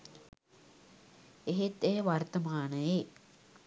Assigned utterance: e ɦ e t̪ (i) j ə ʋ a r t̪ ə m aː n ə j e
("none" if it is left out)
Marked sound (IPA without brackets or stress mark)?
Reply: e